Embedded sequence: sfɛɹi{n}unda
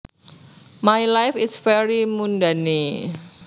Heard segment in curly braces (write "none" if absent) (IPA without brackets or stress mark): m